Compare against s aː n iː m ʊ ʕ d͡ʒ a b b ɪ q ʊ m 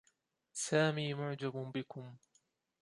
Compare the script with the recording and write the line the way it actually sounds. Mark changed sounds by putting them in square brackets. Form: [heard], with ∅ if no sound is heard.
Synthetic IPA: s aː [m] iː m ʊ ʕ d͡ʒ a b b ɪ [k] ʊ m

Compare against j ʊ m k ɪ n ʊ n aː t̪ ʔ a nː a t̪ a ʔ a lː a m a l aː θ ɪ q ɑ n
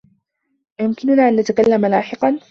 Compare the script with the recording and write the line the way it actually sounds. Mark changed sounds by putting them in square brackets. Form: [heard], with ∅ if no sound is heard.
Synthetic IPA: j ʊ m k ɪ n ʊ n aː [∅] ʔ a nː a t̪ a [k] a lː a m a l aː [ħ] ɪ q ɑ n

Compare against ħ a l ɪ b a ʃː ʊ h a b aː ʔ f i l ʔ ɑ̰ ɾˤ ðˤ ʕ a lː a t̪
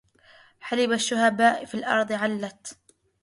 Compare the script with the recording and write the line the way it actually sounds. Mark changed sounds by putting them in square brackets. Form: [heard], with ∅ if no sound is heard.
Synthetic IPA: ħ a l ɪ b a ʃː ʊ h a b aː ʔ f i l ʔ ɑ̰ ɾˤ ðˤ ʕ a lː a t̪

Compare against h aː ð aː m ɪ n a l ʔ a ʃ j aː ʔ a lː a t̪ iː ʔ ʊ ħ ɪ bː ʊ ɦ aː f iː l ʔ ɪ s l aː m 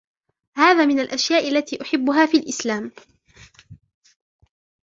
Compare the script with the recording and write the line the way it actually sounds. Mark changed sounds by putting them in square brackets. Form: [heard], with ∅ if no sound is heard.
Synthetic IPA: h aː ð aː m ɪ n a l ʔ a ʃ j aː ʔ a lː a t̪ iː ʔ ʊ ħ ɪ bː ʊ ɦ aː f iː l ʔ ɪ s l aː m

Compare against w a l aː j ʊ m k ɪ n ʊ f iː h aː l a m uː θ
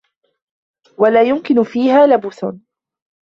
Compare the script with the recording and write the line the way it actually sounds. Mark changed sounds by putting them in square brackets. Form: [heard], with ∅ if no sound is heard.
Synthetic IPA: w a l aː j ʊ m k ɪ n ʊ f iː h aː l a [b] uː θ

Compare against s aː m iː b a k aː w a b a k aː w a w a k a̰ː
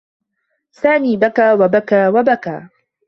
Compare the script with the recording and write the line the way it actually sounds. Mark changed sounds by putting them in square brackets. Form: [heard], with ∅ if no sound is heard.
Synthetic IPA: s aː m iː b a k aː w a b a k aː w a [b] a k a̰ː

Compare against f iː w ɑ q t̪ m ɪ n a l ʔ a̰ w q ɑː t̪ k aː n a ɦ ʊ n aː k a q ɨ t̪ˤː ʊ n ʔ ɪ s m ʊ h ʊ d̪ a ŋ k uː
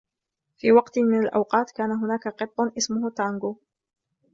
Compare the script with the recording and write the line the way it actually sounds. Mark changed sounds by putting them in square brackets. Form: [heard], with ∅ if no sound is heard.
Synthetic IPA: f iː w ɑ q t̪ m ɪ n a l ʔ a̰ w q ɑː t̪ k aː n a ɦ ʊ n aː k a q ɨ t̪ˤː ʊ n ʔ ɪ s m ʊ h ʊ [t̪] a ŋ [ɡ] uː

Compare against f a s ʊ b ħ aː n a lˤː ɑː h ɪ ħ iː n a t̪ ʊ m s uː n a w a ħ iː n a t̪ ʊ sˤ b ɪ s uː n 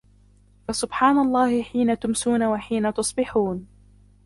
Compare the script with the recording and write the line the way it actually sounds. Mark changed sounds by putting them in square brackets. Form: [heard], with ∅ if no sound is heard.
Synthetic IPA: f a s ʊ b ħ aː n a lˤː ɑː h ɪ ħ iː n a t̪ ʊ m s uː n a w a ħ iː n a t̪ ʊ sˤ b ɪ [ħ] uː n

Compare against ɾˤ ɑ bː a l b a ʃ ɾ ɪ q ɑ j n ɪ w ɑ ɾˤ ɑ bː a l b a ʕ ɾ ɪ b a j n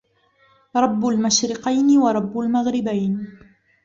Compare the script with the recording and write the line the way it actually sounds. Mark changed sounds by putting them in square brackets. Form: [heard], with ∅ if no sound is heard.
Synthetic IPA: ɾˤ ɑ bː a l [m] a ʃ ɾ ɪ q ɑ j n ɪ w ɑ ɾˤ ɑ bː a l [m] a [ɣ] ɾ ɪ b a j n

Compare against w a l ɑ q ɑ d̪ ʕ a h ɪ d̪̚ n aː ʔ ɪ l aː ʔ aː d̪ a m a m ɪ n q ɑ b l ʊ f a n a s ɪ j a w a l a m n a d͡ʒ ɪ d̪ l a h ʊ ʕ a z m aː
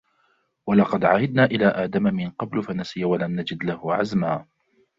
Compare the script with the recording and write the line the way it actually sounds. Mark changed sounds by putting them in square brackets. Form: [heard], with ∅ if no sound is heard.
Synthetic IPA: w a l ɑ q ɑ d̪ ʕ a h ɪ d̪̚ n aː ʔ ɪ l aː ʔ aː d̪ a m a m ɪ n q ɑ b l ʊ f a n a s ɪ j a w a l a m n a d͡ʒ ɪ d̪ l a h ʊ ʕ a z m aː

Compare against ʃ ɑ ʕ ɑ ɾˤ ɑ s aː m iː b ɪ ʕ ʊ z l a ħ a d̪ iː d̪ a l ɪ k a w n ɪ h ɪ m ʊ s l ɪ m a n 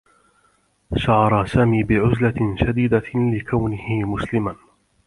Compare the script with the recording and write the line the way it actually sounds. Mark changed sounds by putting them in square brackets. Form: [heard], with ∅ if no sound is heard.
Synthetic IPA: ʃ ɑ ʕ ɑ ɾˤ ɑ s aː m iː b ɪ ʕ ʊ z l a [ʃ] a d̪ iː d̪ a l ɪ k a w n ɪ h ɪ m ʊ s l ɪ m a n

